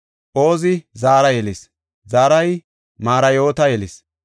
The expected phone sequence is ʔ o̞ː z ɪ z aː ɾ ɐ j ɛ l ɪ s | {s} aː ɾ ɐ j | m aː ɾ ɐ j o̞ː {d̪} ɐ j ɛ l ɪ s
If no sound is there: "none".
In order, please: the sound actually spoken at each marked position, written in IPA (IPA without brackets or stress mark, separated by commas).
z, t̪